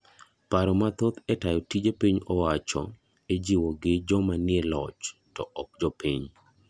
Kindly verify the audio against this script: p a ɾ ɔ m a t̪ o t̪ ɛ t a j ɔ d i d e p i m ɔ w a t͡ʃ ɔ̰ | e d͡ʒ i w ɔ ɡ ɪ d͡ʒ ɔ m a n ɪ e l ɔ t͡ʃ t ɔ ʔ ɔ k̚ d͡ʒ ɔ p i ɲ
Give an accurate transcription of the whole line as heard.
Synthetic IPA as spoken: p a ɾ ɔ m a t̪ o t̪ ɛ t a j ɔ t i d͡ʒ e p i ɲ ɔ w a t͡ʃ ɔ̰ | e d͡ʒ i w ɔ ɡ ɪ d͡ʒ ɔ m a n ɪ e l ɔ t͡ʃ t ɔ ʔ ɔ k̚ d͡ʒ ɔ p i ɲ